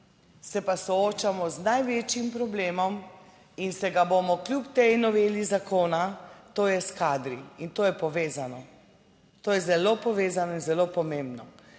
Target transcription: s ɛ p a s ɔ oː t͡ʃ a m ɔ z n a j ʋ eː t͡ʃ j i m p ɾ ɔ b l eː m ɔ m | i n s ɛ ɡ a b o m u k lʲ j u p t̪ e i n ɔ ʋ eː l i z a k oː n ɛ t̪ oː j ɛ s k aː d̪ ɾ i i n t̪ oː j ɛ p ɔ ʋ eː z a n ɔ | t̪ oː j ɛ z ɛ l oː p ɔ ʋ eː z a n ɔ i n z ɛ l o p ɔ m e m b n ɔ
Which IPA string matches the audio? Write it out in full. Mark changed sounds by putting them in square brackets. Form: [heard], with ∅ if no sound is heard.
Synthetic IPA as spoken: s ɛ p a s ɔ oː t͡ʃ a m ɔ z n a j ʋ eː t͡ʃ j i m p ɾ ɔ b l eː m ɔ m | i n s ɛ ɡ a b o m [ɔ] k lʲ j u p t̪ e [j] n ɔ ʋ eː l i z a k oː n [a] t̪ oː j ɛ s k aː d̪ ɾ i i n t̪ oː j ɛ p ɔ ʋ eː z a n ɔ | t̪ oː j ɛ z ɛ l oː p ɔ ʋ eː z a n ɔ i n z ɛ l o p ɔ m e m b n ɔ